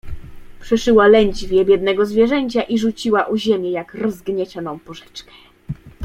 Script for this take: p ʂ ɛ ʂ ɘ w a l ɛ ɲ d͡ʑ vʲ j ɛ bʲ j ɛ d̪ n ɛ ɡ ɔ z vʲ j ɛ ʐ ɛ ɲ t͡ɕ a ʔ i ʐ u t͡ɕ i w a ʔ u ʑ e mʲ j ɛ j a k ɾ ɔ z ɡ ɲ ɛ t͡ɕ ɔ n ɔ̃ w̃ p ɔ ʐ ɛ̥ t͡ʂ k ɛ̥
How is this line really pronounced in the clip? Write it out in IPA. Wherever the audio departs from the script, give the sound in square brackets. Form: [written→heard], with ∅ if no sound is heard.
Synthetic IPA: p ʂ ɛ ʂ ɘ w a l ɛ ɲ d͡ʑ vʲ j ɛ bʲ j ɛ d̪ n ɛ ɡ ɔ z vʲ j ɛ ʐ ɛ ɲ t͡ɕ a ʔ i ʐ u t͡ɕ i w a ʔ u ʑ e mʲ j ɛ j a k ɾ ɔ z ɡ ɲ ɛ t͡ɕ ɔ n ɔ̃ w̃ p ɔ ʐ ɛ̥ t͡ʂ k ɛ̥